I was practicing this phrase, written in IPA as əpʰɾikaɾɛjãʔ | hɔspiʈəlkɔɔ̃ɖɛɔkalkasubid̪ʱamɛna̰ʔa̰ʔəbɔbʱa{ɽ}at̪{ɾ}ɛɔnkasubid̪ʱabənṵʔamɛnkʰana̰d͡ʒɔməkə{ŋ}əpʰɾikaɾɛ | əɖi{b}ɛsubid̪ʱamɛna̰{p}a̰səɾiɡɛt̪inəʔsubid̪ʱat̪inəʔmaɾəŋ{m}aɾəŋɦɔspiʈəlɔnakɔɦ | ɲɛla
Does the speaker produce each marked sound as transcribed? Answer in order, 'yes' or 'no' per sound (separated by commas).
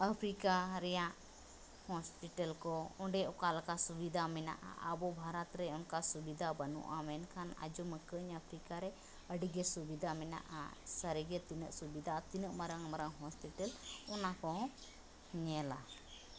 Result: no, yes, no, no, no, yes